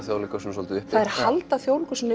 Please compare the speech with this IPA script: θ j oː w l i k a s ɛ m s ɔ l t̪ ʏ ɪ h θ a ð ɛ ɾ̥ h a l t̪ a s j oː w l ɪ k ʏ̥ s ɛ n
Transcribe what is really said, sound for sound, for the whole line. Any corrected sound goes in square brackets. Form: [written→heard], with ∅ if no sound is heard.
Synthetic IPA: θ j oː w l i k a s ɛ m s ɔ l t̪ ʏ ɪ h θ a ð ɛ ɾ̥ h a l t̪ a [s→θ] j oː w l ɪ k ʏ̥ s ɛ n